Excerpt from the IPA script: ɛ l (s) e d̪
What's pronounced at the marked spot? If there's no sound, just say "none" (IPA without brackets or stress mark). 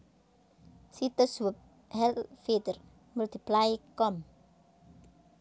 f